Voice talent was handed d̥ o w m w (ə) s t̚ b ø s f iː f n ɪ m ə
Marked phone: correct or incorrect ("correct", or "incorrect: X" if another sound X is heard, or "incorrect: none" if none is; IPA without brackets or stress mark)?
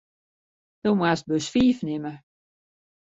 incorrect: a